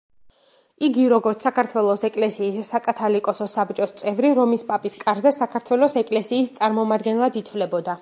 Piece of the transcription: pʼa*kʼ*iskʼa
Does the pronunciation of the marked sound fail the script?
yes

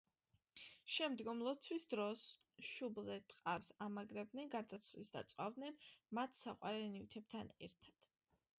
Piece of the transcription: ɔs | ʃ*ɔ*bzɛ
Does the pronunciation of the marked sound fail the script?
yes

